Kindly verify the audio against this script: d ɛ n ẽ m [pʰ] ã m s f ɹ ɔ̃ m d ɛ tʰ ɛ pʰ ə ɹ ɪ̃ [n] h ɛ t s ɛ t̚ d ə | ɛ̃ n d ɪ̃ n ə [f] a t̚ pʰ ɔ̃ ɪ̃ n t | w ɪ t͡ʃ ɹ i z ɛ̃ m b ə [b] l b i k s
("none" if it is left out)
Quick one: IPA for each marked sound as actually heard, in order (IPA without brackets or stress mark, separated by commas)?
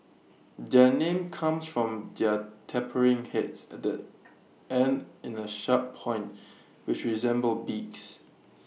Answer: kʰ, ŋ, ʃ, none